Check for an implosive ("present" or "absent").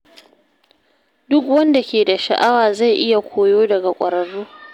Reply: absent